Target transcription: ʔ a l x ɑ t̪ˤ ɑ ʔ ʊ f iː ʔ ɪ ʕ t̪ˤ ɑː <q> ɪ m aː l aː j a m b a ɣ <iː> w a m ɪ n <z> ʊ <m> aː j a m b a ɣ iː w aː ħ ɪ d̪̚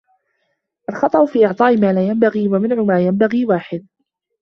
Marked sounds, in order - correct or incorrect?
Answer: incorrect, correct, incorrect, correct

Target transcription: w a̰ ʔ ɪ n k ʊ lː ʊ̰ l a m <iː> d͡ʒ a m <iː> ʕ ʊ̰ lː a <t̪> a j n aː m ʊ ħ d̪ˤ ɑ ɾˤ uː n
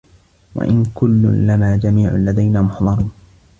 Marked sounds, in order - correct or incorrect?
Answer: incorrect, correct, incorrect

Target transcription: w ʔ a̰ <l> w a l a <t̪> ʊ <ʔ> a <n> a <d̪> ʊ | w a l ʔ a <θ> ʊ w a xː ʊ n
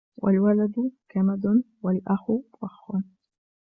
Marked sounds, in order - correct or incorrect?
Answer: correct, incorrect, incorrect, incorrect, correct, incorrect

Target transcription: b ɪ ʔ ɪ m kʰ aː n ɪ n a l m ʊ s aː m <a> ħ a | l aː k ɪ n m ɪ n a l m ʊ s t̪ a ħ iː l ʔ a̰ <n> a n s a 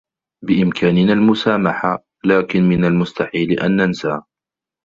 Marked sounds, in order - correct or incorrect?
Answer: correct, incorrect

